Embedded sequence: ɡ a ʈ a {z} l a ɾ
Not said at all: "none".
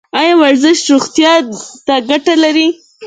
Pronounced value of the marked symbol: none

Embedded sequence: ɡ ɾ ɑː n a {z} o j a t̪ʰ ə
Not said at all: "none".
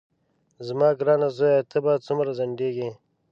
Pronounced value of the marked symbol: z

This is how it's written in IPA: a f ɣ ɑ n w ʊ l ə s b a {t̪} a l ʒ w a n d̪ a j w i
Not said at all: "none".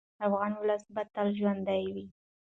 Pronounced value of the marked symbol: t̪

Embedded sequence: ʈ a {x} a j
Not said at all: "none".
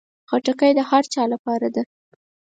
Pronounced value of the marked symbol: k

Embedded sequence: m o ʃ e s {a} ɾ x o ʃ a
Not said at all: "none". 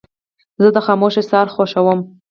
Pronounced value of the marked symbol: ɑ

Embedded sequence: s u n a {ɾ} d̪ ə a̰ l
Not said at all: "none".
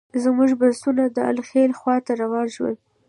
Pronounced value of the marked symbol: none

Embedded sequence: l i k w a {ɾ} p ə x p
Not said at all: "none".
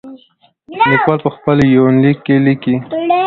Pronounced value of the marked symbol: l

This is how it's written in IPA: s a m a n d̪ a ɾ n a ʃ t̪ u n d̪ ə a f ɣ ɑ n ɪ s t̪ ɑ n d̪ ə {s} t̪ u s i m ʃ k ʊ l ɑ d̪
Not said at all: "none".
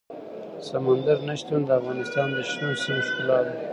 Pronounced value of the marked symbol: ʃ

